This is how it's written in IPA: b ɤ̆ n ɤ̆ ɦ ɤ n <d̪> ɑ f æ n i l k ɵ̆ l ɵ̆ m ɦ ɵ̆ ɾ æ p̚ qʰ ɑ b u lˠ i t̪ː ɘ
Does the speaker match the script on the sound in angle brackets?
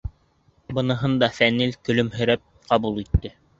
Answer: yes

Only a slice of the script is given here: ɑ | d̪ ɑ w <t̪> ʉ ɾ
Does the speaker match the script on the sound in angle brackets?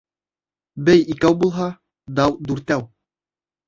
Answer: no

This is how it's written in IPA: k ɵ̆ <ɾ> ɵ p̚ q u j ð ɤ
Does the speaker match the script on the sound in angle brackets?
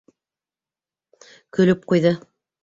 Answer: no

